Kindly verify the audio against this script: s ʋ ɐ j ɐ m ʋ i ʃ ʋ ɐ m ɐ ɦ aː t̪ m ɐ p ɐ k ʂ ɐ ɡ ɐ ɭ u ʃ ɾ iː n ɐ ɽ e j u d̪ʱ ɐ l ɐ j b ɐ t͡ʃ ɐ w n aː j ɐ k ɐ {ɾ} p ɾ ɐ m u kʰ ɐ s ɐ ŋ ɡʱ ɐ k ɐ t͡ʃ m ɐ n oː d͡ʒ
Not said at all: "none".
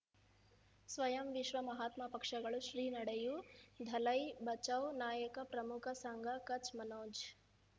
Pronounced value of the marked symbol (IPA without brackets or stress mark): none